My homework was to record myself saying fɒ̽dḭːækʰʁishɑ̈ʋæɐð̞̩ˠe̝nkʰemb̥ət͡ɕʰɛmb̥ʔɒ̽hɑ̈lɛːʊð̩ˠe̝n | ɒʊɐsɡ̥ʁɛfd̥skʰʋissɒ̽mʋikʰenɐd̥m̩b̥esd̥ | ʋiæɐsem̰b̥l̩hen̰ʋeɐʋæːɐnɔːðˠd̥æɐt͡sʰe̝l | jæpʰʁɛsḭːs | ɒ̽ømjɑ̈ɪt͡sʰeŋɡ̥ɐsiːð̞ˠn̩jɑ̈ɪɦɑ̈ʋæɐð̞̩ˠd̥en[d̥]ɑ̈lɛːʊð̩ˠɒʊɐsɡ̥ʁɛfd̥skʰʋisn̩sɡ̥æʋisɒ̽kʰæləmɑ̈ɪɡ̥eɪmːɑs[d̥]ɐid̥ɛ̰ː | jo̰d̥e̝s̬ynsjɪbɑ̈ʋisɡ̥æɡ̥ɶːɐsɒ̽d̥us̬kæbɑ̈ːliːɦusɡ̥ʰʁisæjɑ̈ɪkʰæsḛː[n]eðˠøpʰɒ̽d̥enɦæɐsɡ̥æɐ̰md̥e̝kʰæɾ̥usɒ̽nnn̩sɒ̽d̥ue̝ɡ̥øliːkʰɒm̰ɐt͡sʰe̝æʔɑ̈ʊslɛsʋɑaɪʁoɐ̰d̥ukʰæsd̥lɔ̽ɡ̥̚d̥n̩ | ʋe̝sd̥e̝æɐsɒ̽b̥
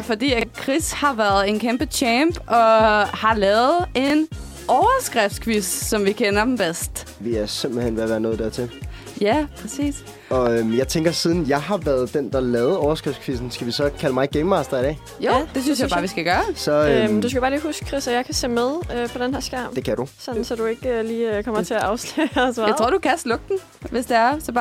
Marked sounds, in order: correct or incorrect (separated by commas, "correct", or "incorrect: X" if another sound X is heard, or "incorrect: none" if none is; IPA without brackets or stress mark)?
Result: correct, correct, incorrect: m